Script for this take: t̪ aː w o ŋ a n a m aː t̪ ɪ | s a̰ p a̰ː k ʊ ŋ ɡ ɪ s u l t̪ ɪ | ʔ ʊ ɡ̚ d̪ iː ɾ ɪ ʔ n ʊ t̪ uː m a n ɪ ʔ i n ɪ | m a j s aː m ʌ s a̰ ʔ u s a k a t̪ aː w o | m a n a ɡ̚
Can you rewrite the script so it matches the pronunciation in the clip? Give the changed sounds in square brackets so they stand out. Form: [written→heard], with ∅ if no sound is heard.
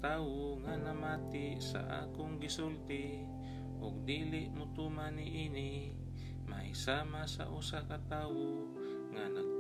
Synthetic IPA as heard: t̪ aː w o ŋ a n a m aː t̪ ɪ | s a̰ [p→ʔ] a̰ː k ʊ ŋ ɡ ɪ s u l t̪ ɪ | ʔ ʊ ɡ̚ d̪ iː [ɾ→l] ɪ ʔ [n→m] ʊ t̪ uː m a n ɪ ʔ i n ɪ | m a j s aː m [ʌ→a] s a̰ ʔ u s a k a t̪ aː w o | [m→ŋ] a n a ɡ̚